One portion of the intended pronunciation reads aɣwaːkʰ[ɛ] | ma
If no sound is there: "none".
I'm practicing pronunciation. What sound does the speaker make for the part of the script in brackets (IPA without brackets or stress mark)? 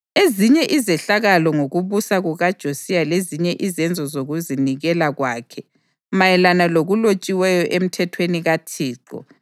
ɛ